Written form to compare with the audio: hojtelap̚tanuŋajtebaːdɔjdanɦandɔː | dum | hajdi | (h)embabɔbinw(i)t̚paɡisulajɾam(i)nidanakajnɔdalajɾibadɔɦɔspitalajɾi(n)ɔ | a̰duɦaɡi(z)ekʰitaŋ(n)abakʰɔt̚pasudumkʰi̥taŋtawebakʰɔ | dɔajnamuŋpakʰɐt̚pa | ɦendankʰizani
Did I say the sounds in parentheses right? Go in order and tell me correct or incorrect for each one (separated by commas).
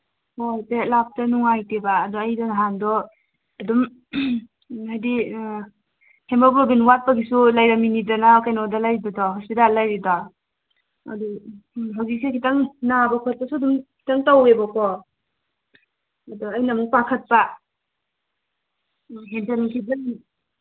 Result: correct, incorrect, correct, incorrect, incorrect, correct